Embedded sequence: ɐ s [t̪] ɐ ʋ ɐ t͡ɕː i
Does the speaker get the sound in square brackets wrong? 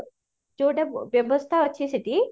yes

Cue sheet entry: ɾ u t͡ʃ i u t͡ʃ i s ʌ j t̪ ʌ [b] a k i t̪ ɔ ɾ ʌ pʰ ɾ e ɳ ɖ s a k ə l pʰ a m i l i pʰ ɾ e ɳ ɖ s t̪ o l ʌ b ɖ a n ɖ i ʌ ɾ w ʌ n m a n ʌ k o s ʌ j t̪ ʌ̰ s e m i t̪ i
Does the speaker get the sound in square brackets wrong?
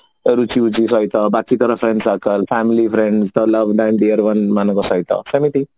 no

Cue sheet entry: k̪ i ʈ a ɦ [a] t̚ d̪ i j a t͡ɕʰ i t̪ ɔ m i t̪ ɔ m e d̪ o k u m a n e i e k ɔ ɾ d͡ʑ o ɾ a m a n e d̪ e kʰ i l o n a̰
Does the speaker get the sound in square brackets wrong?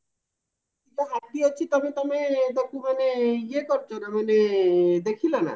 no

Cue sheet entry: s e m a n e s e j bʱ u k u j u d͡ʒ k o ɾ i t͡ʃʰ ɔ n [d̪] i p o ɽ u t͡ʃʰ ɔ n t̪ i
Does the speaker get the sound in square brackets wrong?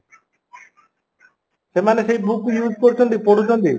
yes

